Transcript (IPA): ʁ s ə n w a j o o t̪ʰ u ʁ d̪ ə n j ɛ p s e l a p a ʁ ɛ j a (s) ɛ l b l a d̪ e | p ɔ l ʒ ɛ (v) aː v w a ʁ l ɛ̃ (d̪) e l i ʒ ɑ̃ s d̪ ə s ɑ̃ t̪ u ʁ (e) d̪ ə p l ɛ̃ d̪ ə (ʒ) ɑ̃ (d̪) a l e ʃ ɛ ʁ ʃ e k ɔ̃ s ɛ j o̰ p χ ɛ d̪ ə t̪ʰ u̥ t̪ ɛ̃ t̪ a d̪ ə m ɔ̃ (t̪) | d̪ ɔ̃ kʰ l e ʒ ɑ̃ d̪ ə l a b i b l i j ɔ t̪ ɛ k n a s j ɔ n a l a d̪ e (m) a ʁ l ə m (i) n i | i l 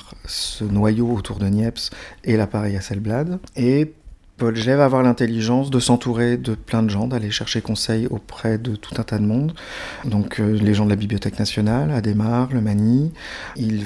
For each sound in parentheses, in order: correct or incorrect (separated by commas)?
correct, correct, incorrect, correct, correct, correct, incorrect, correct, incorrect